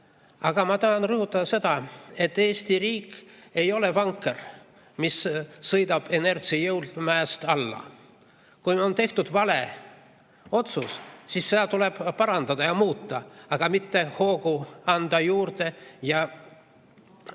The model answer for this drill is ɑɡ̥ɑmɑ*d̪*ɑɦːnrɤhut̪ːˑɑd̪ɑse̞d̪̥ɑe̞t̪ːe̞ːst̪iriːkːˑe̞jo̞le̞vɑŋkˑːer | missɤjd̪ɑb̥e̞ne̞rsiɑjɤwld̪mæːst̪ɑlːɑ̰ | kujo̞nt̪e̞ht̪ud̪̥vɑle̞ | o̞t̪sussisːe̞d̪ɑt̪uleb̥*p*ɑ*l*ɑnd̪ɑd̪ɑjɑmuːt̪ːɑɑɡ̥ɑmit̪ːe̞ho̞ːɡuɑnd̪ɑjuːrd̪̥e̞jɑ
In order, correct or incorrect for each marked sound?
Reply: incorrect: t̪, correct, incorrect: ɾ

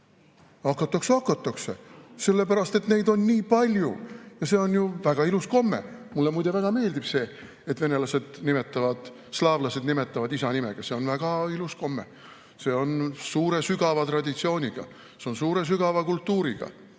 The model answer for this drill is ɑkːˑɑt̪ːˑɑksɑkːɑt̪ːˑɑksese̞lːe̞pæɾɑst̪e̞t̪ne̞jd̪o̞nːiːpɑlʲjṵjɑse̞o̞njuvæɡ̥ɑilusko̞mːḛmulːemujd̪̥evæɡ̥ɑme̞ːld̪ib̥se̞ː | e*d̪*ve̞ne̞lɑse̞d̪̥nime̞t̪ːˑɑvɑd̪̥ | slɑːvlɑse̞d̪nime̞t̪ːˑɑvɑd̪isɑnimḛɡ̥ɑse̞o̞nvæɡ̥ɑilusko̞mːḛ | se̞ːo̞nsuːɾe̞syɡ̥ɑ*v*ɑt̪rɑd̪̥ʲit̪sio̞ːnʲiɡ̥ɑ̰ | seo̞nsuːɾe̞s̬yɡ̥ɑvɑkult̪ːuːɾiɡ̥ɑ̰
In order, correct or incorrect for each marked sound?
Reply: incorrect: t̪, correct

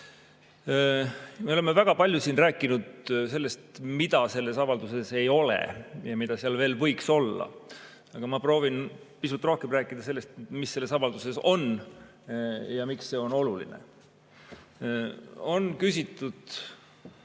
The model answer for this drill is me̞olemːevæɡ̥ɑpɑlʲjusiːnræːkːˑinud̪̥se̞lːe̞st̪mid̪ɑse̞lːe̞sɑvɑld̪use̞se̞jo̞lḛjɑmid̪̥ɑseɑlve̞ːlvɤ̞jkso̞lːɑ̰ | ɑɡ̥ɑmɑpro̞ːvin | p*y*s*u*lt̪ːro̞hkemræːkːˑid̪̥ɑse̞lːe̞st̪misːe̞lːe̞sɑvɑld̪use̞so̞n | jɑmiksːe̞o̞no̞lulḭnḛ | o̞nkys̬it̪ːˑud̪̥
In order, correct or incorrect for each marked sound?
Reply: incorrect: i, correct

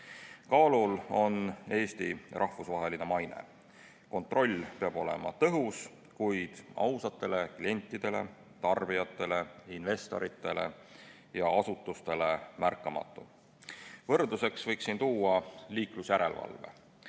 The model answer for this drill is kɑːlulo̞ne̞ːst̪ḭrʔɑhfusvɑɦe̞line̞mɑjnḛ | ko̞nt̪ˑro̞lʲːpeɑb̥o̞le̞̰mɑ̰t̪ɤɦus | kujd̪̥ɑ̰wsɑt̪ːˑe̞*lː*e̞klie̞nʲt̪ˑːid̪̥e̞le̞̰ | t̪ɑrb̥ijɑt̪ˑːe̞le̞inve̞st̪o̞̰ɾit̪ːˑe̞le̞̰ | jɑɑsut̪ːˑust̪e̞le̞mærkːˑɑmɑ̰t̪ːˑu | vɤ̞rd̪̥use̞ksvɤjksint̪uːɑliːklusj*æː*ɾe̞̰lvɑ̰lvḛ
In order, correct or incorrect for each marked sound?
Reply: incorrect: l, incorrect: æ

